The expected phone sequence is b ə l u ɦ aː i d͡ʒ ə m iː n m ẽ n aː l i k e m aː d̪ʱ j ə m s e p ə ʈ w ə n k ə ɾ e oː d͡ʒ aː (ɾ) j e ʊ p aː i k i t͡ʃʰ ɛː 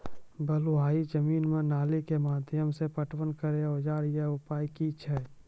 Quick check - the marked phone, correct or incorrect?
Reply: correct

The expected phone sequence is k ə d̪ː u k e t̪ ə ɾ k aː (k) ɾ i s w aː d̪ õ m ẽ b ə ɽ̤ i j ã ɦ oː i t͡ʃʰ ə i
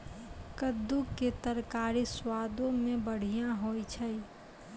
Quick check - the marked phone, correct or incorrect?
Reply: incorrect: none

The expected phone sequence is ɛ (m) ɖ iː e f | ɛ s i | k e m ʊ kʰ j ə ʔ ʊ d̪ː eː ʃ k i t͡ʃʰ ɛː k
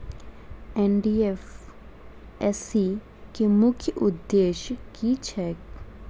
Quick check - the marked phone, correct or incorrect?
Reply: incorrect: n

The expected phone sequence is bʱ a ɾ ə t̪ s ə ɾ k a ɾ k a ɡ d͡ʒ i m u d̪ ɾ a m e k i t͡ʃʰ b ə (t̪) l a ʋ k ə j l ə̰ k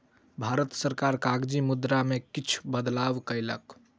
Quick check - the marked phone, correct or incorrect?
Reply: incorrect: d̪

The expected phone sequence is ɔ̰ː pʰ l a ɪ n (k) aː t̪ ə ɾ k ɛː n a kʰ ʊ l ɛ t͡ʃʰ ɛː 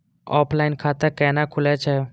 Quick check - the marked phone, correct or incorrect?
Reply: incorrect: kʰ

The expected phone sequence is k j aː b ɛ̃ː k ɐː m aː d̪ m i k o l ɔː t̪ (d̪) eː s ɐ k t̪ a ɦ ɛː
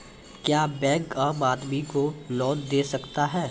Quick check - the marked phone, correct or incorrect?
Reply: correct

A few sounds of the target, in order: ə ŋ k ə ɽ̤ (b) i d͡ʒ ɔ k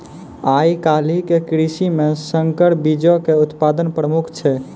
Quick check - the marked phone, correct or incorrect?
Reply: correct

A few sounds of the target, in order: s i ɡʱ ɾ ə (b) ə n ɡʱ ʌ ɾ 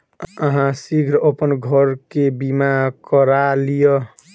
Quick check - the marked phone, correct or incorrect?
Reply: incorrect: p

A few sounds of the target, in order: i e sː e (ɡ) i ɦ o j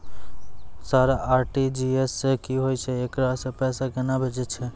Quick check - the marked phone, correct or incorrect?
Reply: incorrect: k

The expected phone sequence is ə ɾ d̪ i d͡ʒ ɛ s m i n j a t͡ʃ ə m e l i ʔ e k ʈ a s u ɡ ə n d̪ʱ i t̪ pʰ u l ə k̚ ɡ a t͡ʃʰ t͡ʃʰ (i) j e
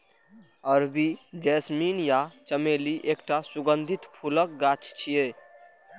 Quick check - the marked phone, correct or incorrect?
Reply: correct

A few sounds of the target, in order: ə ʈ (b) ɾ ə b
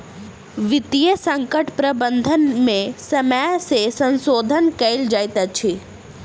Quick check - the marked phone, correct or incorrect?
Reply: incorrect: p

